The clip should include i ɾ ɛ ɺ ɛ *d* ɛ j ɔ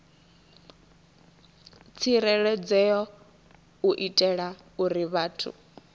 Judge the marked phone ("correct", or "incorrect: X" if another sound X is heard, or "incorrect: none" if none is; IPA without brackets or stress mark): incorrect: d͡z